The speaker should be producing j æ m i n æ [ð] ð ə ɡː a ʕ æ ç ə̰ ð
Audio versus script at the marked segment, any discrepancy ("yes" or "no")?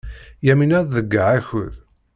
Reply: no